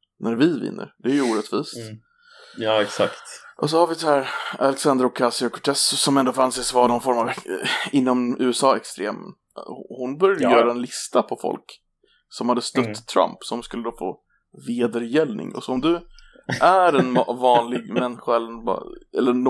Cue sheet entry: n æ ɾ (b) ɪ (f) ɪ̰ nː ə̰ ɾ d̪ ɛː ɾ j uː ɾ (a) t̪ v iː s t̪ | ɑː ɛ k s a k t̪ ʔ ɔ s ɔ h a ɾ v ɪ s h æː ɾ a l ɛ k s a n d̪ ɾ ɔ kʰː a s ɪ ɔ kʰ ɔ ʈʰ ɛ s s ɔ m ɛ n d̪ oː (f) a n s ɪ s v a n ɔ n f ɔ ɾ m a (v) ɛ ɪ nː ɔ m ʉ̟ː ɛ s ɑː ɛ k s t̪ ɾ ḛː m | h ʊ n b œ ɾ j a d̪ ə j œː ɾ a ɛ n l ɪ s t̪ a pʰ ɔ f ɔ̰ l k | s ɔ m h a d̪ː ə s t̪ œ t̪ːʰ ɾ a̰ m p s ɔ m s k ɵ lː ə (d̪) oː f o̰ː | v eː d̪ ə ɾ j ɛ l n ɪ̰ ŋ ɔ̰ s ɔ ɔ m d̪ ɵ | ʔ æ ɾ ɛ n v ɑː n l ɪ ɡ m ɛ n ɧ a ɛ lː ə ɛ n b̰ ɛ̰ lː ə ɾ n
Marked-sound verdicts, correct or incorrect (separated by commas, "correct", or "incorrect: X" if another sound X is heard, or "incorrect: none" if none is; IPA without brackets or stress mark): incorrect: v, incorrect: v, incorrect: ɛ, correct, correct, correct